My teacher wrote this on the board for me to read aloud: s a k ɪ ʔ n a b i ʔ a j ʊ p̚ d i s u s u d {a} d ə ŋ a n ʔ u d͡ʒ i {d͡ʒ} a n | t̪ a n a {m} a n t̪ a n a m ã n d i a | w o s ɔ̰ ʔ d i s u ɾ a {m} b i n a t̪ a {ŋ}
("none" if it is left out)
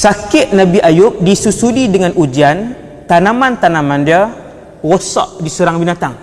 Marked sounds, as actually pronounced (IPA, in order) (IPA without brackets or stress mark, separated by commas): i, none, m, ŋ, ŋ